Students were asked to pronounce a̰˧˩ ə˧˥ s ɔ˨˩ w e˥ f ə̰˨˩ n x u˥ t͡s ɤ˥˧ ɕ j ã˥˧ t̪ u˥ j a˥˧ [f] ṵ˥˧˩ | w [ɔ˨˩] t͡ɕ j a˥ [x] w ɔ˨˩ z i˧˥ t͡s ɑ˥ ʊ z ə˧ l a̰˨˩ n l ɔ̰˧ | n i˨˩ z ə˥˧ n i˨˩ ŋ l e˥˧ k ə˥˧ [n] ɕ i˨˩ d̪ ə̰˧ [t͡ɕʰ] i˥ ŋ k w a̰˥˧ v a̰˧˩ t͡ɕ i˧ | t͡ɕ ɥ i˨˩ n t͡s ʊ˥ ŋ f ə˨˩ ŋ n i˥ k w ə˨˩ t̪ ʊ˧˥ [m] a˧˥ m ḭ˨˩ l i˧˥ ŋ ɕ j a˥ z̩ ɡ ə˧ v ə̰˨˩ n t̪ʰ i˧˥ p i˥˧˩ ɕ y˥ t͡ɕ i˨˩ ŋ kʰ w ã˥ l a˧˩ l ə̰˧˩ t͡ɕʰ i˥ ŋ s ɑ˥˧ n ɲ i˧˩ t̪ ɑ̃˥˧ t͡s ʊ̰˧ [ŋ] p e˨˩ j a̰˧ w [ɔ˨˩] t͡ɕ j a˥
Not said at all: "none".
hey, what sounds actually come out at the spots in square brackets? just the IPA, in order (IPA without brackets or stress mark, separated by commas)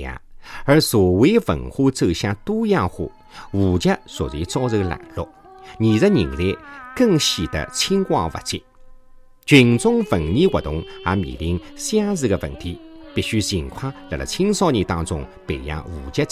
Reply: x, u˨˩, s, ŋ, t͡ɕʰ, ŋ, ŋ, u˨˩